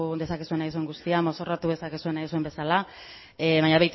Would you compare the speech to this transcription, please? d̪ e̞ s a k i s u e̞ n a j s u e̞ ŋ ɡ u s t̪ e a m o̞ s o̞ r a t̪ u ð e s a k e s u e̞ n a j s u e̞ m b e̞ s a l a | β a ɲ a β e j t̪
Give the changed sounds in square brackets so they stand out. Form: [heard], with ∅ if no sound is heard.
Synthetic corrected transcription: d̪ e̞ s a k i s u e̞ n a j s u e̞ ŋ ɡ u s t̪ [i] a m o̞ s o̞ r a t̪ u ð e s a k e s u e̞ n a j s u e̞ m b e̞ s a l a | β a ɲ a β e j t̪